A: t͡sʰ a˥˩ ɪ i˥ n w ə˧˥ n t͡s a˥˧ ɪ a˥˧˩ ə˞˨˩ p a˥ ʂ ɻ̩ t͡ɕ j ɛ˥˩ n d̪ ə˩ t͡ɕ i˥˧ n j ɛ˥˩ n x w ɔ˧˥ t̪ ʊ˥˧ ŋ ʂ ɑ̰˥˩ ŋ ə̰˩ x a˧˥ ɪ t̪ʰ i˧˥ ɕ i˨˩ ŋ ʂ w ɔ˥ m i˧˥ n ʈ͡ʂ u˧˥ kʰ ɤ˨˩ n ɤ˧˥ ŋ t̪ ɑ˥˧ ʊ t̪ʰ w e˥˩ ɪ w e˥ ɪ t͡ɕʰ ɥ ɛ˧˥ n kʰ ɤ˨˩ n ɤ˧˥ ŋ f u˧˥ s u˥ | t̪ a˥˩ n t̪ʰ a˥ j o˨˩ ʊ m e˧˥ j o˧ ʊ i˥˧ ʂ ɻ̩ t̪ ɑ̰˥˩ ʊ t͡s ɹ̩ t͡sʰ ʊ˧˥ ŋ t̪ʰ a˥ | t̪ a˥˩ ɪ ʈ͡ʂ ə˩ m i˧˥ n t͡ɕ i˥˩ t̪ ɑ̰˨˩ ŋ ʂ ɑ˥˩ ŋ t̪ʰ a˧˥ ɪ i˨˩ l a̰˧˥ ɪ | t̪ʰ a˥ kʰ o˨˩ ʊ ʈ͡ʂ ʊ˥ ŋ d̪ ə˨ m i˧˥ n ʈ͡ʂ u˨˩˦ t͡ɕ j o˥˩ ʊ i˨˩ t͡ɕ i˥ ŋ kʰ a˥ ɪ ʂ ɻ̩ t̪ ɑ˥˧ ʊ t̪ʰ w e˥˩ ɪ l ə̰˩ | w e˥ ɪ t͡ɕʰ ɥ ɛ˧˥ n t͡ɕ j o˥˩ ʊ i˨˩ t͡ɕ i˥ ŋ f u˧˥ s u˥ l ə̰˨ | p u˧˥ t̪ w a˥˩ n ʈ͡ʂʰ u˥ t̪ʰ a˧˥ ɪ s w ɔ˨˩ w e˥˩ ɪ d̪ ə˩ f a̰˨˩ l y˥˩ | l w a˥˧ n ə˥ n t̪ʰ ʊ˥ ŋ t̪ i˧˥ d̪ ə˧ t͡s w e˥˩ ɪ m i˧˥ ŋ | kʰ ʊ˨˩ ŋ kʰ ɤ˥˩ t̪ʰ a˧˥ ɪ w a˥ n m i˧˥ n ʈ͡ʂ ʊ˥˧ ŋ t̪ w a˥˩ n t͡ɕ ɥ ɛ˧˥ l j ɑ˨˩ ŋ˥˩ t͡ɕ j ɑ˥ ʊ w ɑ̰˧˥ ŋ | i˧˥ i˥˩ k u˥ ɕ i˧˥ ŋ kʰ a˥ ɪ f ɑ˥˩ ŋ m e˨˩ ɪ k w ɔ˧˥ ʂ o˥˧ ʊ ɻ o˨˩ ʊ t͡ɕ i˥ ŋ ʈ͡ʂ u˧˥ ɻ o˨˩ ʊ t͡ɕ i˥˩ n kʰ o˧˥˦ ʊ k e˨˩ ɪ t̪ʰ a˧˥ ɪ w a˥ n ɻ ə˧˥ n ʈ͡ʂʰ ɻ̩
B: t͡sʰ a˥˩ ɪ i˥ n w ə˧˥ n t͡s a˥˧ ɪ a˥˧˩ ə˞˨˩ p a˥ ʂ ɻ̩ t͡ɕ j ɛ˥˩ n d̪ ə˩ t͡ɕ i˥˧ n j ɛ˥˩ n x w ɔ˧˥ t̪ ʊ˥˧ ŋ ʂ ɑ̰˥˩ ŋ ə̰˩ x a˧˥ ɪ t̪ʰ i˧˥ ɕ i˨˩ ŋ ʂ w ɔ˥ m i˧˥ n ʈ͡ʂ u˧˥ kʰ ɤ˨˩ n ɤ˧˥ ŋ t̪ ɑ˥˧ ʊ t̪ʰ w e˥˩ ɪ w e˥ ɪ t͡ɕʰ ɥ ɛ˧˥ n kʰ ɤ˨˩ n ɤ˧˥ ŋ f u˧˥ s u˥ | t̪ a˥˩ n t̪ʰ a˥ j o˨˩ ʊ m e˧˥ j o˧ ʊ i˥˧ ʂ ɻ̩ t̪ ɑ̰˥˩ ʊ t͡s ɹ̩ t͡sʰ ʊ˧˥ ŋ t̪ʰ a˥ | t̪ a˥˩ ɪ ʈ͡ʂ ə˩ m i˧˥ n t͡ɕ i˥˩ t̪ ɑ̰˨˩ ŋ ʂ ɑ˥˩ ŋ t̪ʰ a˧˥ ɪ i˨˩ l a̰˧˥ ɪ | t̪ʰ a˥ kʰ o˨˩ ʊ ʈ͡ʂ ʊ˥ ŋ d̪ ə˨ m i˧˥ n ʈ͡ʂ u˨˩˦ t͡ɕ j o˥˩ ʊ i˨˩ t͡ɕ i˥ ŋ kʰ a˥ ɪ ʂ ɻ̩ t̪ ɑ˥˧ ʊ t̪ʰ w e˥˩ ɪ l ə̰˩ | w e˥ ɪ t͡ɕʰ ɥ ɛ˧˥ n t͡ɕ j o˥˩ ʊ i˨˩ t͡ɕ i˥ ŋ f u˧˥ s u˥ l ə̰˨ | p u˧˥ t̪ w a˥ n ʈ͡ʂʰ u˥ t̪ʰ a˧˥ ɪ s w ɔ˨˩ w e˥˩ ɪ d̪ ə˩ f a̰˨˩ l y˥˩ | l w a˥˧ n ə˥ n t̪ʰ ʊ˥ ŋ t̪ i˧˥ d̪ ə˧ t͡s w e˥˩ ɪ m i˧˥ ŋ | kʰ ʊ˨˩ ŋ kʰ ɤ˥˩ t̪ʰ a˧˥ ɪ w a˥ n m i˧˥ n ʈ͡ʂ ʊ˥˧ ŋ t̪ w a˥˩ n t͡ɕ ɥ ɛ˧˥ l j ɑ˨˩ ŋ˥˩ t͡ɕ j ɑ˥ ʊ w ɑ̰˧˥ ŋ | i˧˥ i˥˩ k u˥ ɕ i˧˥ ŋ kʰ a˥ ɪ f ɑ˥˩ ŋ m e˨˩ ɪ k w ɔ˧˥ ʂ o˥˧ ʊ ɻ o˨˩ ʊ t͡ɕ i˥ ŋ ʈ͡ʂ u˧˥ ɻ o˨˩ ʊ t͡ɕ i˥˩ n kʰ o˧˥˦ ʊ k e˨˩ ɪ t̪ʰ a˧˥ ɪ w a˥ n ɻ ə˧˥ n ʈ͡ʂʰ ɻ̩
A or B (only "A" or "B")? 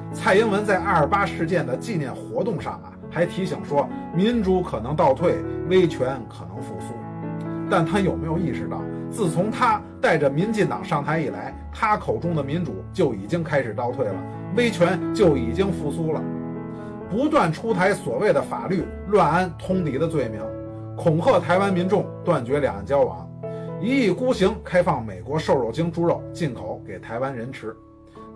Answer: A